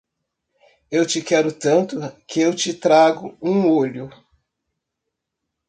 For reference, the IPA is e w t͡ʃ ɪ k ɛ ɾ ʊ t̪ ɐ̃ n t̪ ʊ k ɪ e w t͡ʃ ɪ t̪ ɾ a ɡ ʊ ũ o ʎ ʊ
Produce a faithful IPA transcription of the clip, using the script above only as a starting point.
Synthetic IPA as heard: e w t͡ʃ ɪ k ɛ ɾ ʊ t̪ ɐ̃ n t̪ ʊ k ɪ e w t͡ʃ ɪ t̪ ɾ a ɡ ʊ ũ o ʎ ʊ